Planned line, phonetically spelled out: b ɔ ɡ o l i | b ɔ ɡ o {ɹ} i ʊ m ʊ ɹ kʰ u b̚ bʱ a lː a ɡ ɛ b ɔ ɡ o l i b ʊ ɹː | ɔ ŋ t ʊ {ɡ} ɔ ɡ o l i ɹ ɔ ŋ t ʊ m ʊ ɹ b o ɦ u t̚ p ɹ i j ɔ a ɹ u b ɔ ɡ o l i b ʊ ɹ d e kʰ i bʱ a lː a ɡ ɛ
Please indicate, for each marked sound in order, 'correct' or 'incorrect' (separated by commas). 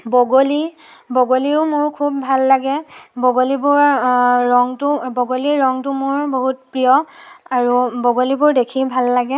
incorrect, incorrect